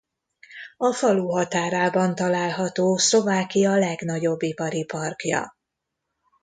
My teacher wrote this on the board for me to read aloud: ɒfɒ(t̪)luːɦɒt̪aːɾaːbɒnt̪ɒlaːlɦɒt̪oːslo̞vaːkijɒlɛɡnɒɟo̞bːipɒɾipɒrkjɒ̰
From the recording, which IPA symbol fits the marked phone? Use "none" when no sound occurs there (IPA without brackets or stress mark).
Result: none